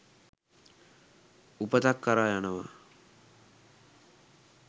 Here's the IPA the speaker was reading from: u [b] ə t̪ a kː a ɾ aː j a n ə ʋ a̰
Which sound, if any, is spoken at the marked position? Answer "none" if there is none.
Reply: p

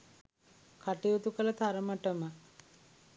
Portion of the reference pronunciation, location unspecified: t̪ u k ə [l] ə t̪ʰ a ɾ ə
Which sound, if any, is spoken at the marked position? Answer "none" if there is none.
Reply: l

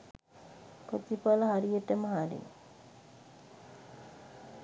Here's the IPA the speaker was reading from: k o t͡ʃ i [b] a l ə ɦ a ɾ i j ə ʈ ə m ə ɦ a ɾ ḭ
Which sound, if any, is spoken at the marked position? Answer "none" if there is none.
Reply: p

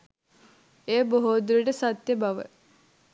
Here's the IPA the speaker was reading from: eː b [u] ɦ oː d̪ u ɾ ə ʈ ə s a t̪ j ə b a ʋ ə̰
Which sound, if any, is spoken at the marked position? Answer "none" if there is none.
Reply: o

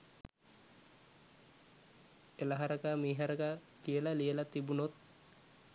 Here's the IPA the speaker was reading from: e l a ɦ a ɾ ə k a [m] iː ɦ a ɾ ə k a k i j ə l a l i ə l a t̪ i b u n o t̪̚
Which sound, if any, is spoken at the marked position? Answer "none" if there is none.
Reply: m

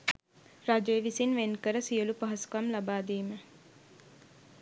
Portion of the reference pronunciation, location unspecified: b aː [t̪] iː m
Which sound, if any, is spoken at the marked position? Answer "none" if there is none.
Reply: d̪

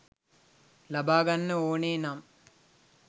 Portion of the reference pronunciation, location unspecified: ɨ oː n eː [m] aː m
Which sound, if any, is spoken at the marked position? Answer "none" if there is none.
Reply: n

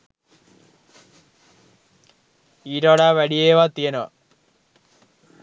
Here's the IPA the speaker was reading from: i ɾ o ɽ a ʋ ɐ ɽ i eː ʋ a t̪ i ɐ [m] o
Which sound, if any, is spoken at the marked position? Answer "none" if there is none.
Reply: n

